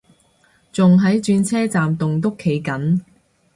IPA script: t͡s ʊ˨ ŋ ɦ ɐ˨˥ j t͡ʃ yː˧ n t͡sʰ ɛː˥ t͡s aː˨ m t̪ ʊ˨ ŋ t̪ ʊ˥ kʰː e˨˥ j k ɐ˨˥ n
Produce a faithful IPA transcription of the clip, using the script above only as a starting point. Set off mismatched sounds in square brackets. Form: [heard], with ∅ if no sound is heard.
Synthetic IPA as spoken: t͡s ʊ˨ ŋ ɦ ɐ˨˥ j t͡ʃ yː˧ n t͡sʰ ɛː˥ t͡s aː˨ m t̪ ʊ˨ ŋ t̪ ʊ˥ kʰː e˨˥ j k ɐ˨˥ n